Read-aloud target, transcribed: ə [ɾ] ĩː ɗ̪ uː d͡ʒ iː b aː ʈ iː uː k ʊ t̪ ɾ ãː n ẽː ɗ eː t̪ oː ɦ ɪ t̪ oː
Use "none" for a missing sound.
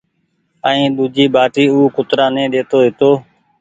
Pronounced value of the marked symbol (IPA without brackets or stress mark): none